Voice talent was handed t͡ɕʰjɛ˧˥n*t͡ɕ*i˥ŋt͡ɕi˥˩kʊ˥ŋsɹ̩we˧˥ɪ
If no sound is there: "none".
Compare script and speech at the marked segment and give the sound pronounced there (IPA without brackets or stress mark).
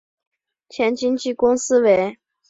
t͡ɕ